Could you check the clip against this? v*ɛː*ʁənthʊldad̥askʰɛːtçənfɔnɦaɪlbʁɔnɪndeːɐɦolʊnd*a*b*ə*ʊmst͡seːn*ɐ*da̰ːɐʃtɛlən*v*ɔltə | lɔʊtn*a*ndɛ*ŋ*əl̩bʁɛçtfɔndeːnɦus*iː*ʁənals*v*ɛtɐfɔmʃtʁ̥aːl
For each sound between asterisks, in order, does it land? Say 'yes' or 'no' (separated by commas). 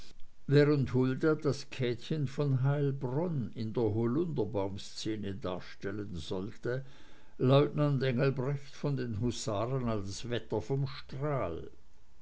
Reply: yes, no, no, no, no, yes, yes, no, yes